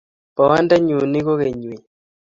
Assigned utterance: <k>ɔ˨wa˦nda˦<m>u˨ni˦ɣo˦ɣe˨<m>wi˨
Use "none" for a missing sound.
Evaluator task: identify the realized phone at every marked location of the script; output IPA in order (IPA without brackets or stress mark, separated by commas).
p, ɲ, ɲ